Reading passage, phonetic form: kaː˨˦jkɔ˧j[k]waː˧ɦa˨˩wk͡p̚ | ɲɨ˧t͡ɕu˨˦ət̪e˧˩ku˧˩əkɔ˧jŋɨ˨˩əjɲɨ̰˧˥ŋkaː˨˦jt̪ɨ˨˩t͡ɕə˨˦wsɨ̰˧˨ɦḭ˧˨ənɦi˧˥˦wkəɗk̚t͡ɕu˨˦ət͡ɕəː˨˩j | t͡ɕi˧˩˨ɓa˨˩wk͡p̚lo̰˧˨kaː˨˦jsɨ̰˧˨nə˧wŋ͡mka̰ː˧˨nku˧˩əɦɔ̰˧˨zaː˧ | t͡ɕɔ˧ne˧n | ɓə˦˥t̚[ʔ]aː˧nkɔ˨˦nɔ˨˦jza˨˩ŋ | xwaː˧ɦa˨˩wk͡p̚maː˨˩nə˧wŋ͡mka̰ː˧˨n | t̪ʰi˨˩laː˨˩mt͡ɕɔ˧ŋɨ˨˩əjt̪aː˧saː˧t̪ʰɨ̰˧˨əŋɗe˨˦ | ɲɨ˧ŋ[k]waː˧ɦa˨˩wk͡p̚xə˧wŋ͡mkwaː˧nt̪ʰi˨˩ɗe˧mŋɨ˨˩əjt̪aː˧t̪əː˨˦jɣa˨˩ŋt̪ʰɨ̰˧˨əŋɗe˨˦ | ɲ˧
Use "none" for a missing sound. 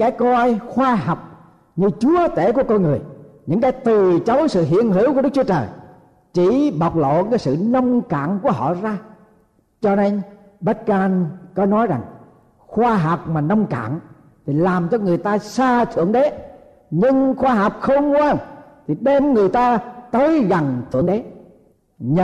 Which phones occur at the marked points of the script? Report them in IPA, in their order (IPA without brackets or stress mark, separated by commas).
x, k, x